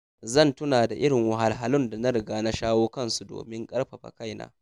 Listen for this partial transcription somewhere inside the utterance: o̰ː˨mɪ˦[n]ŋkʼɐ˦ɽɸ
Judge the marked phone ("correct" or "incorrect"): incorrect